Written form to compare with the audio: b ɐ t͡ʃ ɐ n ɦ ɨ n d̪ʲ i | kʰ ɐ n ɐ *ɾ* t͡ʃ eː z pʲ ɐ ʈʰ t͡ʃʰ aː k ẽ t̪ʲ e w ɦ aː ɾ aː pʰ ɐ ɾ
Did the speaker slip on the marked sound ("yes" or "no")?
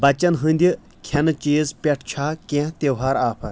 yes